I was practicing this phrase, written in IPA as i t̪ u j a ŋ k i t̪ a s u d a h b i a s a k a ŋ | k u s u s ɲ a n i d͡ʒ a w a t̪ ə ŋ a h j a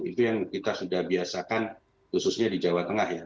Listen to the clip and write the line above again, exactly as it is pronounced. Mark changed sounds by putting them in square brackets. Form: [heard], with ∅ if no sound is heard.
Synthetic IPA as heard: i t̪ u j a ŋ k i t̪ a s u d a h b i a s a k a [n] | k u s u s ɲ a [d] i d͡ʒ a w a t̪ ə ŋ a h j a